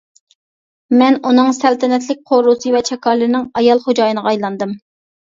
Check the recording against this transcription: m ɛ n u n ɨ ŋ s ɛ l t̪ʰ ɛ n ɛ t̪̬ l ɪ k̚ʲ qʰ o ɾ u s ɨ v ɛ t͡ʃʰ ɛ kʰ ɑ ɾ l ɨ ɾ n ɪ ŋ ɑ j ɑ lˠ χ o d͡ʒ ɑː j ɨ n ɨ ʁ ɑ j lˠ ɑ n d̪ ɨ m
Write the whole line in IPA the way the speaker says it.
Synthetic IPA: m ɛ n u n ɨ ŋ s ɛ l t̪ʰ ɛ n ɛ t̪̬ l ɪ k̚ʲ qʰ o ɾ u s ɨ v ɛ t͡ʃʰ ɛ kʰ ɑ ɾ l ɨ ɾ n ɪ ŋ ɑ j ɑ lˠ χ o d͡ʒ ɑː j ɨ n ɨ ʁ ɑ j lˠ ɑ n d̪ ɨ m